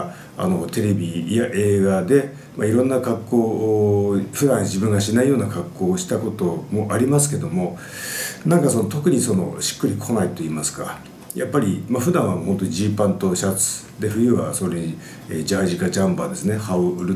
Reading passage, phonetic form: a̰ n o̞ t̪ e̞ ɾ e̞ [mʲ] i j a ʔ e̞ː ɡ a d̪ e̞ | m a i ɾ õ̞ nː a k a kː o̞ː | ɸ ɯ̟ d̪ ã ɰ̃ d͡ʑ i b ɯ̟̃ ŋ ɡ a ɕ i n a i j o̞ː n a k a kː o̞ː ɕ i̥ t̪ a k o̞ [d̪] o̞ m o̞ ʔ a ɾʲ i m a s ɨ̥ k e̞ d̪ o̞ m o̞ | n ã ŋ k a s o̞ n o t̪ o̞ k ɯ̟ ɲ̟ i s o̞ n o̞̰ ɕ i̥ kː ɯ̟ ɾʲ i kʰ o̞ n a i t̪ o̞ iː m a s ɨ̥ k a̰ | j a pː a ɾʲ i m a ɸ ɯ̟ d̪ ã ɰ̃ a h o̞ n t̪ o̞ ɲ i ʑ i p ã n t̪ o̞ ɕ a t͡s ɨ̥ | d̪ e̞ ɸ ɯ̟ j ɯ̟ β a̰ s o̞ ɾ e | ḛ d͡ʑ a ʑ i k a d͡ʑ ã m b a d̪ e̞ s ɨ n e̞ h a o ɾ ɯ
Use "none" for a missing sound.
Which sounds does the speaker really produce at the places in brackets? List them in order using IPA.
bʲ, t̪

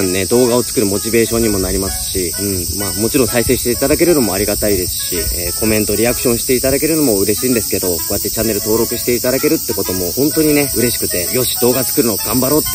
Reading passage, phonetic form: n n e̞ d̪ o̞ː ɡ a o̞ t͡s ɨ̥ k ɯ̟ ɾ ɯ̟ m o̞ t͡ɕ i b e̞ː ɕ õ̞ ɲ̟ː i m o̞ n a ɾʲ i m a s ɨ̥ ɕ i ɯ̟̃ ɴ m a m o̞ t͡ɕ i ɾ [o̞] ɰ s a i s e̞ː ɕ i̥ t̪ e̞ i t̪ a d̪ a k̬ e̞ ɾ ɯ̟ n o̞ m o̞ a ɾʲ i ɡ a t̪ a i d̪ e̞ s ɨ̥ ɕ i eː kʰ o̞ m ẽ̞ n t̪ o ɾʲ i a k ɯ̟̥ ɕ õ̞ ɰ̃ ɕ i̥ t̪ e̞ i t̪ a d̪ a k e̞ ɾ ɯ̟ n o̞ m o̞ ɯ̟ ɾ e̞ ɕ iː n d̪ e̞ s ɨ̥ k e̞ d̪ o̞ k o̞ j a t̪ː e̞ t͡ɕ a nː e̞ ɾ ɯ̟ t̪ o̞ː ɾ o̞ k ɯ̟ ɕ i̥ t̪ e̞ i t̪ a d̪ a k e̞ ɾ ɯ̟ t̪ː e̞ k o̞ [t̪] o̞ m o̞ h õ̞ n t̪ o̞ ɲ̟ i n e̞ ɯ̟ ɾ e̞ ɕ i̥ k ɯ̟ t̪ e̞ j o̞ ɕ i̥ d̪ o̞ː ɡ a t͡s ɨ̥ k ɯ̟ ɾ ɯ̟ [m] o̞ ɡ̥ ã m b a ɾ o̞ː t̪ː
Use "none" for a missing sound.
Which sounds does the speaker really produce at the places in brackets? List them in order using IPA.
õ̞, t̪, n

